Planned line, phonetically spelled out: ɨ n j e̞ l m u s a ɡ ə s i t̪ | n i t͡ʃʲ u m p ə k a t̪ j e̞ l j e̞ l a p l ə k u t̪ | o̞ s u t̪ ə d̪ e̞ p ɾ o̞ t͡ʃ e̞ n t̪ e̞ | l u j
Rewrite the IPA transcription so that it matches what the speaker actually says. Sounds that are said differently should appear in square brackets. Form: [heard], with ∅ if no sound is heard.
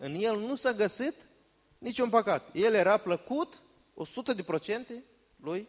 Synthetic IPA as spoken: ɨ n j e̞ l [n] u s a ɡ ə s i t̪ | n i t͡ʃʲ u [n] p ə k a t̪ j e̞ l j e̞ [ɾ] a p l ə k u t̪ | o̞ s u t̪ ə d̪ e̞ p ɾ o̞ t͡ʃ e̞ n t̪ e̞ | l u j